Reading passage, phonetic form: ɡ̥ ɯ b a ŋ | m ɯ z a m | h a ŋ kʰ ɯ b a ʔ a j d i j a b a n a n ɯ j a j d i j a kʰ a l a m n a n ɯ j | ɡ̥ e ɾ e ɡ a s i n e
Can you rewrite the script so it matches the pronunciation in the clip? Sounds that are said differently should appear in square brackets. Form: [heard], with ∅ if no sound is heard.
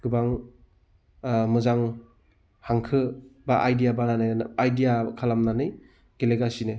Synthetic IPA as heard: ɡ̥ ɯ b a ŋ | m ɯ z a [ŋ] | h a ŋ kʰ ɯ b a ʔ a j d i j a b a n a n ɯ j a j d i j a kʰ a l a m n a n ɯ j | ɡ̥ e [l] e ɡ a s i n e